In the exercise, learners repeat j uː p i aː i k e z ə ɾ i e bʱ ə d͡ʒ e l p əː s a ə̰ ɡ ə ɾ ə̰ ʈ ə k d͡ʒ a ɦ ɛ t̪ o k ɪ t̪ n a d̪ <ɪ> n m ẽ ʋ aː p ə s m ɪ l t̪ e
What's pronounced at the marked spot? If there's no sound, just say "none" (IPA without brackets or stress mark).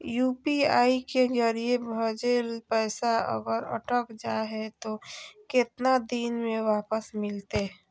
i